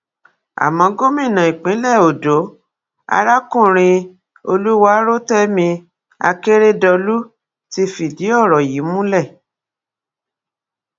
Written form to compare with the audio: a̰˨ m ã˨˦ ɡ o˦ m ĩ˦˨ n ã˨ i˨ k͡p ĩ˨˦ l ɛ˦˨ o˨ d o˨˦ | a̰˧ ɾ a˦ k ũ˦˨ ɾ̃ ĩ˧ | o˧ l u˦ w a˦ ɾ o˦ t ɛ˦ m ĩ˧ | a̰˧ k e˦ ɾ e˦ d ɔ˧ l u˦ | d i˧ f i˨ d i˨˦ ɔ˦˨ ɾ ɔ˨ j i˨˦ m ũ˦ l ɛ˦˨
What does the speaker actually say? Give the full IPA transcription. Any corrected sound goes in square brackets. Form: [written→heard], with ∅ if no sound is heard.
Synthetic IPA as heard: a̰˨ m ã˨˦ ɡ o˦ m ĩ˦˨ n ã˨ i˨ k͡p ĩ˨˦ l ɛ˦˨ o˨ d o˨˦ | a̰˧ ɾ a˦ k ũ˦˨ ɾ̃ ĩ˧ | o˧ l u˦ w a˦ ɾ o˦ t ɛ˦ m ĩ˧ | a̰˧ k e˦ ɾ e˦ d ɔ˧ l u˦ | [d→t] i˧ f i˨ d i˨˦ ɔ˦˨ ɾ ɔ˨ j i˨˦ m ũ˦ l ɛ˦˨